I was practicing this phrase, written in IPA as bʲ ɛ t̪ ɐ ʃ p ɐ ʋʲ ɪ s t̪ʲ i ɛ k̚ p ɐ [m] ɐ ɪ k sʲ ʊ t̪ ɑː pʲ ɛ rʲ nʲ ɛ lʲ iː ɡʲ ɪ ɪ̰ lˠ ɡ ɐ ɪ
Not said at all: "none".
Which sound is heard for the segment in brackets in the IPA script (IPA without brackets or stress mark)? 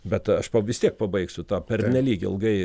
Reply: b